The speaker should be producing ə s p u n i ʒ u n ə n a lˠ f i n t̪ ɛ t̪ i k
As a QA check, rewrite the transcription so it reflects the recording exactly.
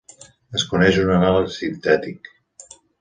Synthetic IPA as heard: ə s k u n ɛ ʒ u n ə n a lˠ s i n t̪ ɛ t̪ i k